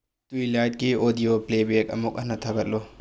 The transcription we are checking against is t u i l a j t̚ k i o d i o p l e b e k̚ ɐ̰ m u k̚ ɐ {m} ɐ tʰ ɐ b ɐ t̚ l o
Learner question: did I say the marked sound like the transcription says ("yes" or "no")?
no